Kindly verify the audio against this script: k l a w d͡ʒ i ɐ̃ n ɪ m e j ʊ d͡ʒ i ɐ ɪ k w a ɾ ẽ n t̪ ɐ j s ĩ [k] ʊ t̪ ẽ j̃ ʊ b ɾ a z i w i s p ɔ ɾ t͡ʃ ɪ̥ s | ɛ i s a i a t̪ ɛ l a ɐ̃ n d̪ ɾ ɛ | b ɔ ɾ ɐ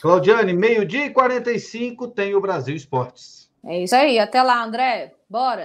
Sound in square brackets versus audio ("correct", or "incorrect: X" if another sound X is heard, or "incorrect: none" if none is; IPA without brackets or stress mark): correct